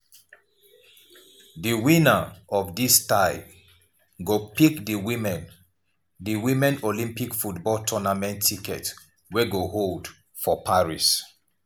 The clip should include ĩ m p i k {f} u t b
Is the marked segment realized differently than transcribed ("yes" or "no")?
no